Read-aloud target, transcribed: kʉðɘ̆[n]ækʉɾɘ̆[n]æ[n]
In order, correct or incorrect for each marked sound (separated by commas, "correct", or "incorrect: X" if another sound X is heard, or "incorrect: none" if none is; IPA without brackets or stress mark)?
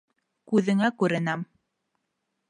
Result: incorrect: ŋ, correct, incorrect: m